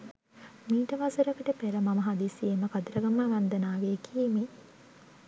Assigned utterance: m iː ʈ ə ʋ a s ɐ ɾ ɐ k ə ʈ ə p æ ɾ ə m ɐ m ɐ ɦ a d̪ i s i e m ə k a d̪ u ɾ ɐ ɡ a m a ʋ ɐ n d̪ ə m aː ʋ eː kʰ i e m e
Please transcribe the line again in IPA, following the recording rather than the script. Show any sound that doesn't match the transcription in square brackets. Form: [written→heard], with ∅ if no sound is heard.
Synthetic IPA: m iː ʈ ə ʋ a s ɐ ɾ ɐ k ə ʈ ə p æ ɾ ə m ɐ m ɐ ɦ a d̪ i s i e m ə k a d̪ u ɾ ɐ ɡ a m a ʋ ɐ n d̪ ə [m→n] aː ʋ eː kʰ i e m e